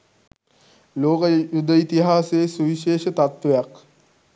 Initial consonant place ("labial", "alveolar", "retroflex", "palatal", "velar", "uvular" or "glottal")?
alveolar